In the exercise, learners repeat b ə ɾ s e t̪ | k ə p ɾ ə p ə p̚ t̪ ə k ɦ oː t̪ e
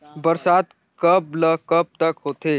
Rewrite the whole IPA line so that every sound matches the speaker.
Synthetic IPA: b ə ɾ s a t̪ | k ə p l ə k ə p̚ t̪ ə k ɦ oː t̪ e